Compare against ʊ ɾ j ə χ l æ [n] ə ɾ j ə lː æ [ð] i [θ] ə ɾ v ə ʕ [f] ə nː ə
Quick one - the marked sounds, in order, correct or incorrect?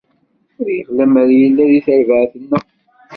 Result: incorrect: m, correct, correct, incorrect: θ

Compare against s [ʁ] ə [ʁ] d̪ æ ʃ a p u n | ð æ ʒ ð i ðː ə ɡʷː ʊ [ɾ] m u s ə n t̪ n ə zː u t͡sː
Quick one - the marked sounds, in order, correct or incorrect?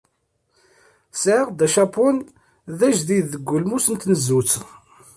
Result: incorrect: ʕ, correct, incorrect: l

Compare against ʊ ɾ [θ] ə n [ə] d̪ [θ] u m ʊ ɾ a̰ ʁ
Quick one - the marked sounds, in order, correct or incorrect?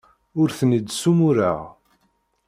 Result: correct, correct, incorrect: s

